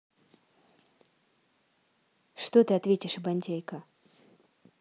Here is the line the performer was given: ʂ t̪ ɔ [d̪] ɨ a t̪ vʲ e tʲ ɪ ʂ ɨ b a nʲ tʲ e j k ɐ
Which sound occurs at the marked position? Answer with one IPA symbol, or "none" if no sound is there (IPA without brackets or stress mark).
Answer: t̪